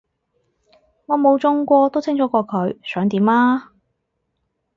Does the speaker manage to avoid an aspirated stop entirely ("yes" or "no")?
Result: no